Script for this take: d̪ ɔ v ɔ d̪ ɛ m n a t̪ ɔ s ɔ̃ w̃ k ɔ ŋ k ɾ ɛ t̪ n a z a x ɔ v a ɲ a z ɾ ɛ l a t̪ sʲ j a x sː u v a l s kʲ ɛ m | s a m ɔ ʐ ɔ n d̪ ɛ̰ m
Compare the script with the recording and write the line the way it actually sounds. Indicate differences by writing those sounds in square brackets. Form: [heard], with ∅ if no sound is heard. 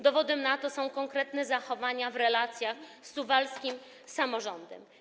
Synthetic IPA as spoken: d̪ ɔ v ɔ d̪ ɛ m n a t̪ ɔ s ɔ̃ w̃ k ɔ ŋ k ɾ ɛ t̪ n [ɛ] z a x ɔ v a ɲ a [v] ɾ ɛ l a t̪ sʲ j a x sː u v a l s kʲ [i] m | s a m ɔ ʐ ɔ n d̪ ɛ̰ m